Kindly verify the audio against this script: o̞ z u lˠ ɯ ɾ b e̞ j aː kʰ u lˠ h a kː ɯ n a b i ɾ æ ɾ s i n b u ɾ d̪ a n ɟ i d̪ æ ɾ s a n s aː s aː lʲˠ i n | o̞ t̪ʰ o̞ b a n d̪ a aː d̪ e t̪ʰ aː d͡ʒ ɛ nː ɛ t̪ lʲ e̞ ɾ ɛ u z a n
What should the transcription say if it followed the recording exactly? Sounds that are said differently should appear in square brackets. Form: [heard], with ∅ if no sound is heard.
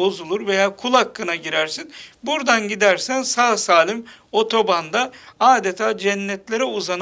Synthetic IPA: o̞ z u lˠ [u] ɾ [v] e̞ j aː kʰ u lˠ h a kː ɯ n a [ɟ] i ɾ æ ɾ s i n b u ɾ d̪ a n ɟ i d̪ æ ɾ s [æ] n s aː s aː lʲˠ i [m] | o̞ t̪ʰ o̞ b a n d̪ a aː d̪ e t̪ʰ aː d͡ʒ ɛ nː ɛ t̪ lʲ e̞ ɾ ɛ u z a n